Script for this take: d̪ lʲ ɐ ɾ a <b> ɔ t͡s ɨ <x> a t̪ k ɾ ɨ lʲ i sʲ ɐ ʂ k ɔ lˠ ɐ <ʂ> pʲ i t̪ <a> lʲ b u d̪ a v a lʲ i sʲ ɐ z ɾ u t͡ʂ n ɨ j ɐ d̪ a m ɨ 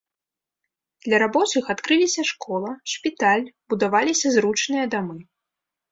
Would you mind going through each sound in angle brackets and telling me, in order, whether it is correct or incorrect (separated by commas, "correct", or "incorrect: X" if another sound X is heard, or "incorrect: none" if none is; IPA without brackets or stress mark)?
correct, correct, correct, correct